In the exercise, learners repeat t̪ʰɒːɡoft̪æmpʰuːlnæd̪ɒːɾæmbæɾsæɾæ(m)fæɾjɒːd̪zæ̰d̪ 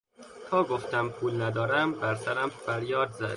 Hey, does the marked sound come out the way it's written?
yes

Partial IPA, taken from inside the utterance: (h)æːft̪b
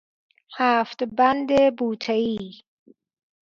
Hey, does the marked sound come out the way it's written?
yes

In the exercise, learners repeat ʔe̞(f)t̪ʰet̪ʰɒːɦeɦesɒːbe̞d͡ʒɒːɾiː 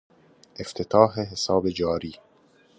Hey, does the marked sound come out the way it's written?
yes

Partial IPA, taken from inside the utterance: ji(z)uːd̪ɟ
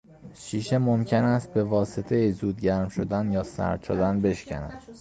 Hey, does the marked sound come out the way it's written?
yes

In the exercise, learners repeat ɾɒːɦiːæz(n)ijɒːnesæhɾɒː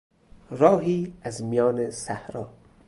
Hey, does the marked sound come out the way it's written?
no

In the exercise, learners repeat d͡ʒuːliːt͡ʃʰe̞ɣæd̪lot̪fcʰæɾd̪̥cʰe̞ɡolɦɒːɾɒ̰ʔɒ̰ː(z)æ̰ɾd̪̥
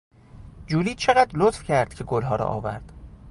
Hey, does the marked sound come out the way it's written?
no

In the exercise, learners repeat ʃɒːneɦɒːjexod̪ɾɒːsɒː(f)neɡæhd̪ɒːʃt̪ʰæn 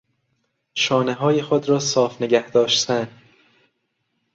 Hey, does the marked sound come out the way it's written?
yes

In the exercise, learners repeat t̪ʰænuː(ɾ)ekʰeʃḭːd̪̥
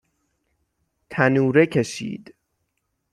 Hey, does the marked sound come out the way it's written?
yes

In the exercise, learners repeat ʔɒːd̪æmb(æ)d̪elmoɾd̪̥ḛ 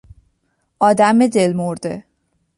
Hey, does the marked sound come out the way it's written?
no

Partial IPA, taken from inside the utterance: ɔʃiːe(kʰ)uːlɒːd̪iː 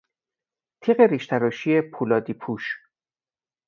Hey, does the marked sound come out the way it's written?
no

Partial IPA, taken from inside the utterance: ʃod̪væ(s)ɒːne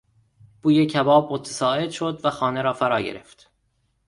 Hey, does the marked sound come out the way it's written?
no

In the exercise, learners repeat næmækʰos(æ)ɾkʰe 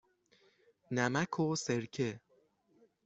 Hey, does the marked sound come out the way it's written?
no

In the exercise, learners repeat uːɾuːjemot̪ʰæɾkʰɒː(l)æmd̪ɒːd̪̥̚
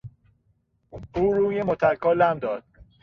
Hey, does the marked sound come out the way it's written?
yes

